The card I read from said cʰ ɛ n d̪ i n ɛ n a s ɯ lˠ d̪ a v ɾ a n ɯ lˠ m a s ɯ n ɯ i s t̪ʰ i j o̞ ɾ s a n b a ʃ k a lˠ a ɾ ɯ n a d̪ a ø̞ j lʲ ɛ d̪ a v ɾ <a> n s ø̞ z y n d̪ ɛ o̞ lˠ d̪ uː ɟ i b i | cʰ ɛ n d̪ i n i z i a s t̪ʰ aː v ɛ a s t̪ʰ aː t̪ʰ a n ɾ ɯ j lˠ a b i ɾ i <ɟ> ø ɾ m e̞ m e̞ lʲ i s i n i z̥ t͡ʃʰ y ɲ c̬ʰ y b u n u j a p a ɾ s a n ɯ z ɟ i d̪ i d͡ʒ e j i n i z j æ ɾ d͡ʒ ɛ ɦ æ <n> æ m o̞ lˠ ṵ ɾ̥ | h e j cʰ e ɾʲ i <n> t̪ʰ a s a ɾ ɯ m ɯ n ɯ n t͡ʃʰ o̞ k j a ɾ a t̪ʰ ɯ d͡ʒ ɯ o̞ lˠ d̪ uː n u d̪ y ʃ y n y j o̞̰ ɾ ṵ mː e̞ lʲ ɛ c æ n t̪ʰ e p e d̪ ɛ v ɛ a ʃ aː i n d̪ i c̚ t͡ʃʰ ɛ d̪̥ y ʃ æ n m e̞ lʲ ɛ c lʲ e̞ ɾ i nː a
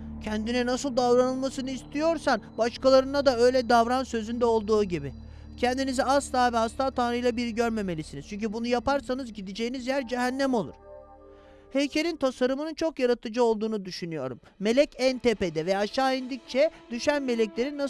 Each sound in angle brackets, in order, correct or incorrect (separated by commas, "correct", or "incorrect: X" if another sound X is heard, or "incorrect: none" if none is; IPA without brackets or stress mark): correct, correct, incorrect: nː, correct